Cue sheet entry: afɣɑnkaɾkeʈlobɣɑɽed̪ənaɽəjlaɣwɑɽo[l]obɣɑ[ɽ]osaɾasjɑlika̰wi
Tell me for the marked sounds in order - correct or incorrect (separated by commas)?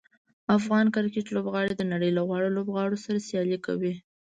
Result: correct, correct